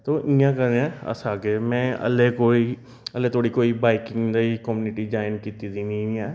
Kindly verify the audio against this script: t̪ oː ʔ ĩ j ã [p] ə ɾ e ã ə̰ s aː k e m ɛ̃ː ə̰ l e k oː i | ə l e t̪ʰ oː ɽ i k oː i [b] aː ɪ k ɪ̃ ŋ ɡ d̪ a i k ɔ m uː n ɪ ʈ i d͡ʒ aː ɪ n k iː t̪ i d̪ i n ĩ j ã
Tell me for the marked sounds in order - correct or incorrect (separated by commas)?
incorrect, correct